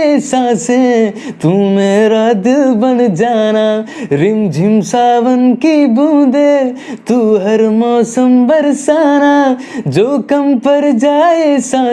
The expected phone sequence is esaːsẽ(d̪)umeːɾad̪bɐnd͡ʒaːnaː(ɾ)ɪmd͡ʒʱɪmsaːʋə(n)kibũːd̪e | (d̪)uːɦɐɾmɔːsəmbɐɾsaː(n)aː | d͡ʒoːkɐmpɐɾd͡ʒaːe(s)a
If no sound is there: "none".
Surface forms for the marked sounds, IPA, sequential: t̪, ɾ, n, t̪, n, s

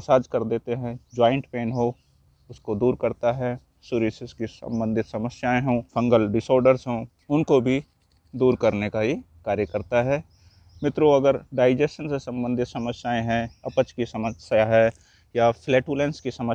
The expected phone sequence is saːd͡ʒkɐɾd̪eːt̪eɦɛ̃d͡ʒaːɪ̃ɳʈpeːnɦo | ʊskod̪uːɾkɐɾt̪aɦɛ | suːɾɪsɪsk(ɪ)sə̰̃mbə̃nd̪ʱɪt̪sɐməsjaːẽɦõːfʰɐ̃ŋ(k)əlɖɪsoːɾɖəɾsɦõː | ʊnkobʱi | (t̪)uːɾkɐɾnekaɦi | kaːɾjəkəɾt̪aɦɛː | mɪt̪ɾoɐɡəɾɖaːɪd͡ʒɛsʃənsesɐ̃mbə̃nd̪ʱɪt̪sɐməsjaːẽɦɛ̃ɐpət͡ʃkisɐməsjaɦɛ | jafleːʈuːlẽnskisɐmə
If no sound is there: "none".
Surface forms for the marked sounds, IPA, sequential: i, ɡ, d̪

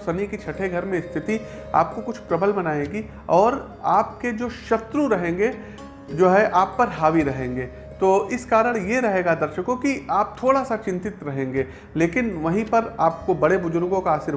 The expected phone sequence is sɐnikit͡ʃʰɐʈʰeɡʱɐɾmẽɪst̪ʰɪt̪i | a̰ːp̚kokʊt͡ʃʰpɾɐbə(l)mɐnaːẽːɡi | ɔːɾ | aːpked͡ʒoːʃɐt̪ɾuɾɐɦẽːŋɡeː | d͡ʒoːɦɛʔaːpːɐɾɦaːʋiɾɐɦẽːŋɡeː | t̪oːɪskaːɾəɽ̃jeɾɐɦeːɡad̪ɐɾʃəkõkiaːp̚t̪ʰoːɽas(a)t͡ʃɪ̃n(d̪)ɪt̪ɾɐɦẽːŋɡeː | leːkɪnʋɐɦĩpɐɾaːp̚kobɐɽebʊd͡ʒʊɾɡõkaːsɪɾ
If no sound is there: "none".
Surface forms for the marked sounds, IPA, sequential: l, a, t̪

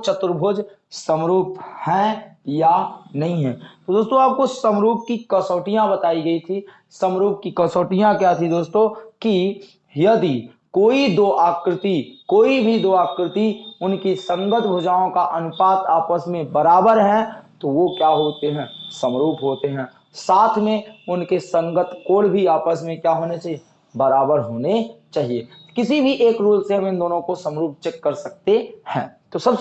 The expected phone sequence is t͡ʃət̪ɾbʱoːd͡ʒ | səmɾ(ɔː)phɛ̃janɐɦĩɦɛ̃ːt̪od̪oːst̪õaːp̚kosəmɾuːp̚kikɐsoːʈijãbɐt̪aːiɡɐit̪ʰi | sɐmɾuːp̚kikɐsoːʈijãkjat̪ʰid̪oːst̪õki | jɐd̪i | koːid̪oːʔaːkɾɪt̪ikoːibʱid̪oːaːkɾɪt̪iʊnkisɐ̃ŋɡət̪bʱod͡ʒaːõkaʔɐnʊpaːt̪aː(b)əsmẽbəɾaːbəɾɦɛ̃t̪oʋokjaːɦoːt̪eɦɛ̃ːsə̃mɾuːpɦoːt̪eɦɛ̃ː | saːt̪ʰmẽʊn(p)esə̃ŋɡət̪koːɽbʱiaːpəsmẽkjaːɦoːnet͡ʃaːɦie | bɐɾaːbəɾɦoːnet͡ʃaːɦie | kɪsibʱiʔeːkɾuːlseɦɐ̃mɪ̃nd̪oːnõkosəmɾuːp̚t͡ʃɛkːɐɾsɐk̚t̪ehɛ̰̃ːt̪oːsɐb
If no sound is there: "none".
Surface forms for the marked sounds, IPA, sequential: uː, p, k

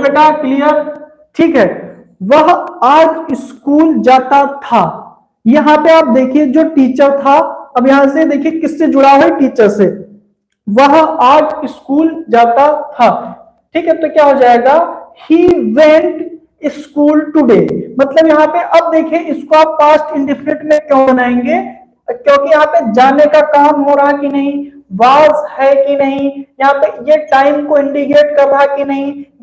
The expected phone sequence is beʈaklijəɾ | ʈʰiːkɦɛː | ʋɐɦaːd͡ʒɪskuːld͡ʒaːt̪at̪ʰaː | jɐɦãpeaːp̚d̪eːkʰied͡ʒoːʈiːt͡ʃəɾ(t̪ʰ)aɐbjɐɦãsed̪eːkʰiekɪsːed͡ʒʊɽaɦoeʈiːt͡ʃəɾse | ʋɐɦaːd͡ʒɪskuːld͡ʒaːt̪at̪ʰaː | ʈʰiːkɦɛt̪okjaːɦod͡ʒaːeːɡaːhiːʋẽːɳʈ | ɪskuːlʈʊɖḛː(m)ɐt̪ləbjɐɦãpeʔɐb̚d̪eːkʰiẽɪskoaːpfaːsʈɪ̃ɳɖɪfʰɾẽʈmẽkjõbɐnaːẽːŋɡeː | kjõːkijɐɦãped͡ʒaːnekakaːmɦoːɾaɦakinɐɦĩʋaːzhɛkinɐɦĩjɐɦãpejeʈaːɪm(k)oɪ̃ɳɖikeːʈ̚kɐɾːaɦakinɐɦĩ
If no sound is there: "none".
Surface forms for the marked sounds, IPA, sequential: t̪ʰ, m, k

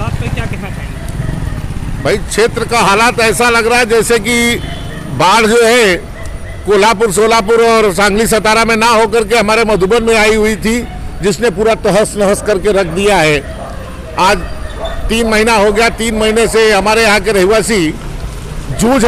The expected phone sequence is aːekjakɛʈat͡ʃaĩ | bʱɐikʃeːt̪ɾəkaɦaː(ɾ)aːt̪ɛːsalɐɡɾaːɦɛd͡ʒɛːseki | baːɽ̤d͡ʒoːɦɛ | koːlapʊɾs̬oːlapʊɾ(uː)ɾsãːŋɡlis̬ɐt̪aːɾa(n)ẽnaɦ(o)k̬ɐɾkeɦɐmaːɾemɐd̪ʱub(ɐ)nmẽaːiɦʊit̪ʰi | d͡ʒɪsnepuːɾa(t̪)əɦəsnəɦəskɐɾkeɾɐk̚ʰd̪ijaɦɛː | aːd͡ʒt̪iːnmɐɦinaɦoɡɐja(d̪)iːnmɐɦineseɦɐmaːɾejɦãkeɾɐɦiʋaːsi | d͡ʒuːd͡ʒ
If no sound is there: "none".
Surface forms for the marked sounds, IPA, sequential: l, ɔː, m, o, ə, t̪, t̪

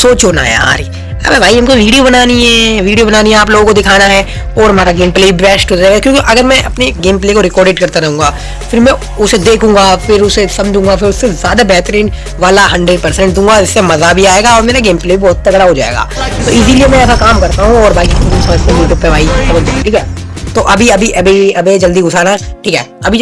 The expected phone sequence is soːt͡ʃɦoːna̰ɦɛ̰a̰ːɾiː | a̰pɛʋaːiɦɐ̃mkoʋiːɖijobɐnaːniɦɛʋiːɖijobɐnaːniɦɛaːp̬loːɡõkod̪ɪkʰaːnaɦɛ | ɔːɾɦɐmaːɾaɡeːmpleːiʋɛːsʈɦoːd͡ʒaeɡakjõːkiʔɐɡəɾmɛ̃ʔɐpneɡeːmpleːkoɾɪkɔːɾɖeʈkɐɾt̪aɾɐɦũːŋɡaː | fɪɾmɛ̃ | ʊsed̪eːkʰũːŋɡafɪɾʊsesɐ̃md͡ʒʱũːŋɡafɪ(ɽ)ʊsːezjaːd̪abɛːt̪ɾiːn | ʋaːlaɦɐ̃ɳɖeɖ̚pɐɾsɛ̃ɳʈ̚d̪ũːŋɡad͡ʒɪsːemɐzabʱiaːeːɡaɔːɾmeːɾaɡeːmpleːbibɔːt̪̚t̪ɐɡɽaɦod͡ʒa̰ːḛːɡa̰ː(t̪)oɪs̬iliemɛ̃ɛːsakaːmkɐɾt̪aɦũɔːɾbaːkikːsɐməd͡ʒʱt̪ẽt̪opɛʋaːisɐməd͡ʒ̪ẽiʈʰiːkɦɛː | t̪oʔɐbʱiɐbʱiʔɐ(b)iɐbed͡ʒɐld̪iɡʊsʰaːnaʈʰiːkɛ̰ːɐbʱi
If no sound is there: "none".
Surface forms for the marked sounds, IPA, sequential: ɾ, t̪, b

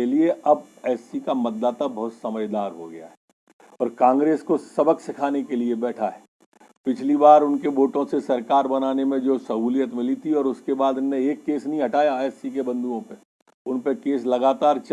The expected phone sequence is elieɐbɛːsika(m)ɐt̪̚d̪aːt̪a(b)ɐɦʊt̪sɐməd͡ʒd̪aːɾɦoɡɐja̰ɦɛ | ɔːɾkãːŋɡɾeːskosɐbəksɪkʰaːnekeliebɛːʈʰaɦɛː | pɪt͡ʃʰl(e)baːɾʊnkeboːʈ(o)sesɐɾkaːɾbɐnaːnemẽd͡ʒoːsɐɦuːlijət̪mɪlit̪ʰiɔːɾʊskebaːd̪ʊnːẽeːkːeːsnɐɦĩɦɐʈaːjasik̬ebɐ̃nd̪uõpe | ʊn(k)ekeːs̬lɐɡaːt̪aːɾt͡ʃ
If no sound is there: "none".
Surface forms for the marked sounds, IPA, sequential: m, b, i, õ, p

